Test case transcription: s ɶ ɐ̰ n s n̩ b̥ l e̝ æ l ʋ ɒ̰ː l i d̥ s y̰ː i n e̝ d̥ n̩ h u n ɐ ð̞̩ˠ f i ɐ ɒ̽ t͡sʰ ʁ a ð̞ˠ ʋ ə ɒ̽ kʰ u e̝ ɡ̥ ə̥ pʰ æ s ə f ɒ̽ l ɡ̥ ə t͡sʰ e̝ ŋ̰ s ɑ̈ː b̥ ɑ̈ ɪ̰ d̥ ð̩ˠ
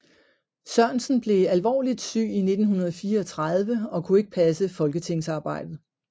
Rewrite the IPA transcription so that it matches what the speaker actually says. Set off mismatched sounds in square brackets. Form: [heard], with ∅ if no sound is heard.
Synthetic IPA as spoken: s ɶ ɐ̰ n s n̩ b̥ l e̝ æ l ʋ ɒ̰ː l i d̥ s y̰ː i n e̝ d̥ n̩ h u n ɐ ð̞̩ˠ f [iː] ɐ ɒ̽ t͡sʰ ʁ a ð̞ˠ ʋ ə ɒ̽ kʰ u e̝ ɡ̥ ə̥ pʰ æ s ə f ɒ̽ l ɡ̥ ə t͡sʰ e̝ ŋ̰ s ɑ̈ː b̥ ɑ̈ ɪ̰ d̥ ð̩ˠ